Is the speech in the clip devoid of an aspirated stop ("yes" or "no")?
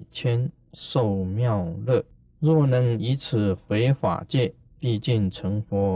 no